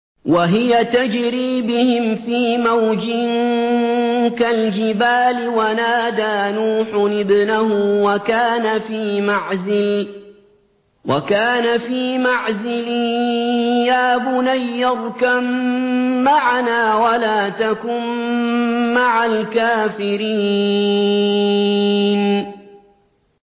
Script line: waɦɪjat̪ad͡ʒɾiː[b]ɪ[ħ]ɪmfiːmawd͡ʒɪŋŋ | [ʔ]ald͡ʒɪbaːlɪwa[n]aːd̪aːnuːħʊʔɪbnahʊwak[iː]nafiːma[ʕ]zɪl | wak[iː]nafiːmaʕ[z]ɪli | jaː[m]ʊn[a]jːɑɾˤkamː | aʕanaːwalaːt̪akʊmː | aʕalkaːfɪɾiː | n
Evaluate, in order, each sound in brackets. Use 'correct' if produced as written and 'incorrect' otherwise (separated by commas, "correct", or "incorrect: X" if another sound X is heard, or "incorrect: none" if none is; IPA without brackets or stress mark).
correct, incorrect: h, incorrect: k, correct, incorrect: aː, correct, incorrect: aː, correct, incorrect: b, correct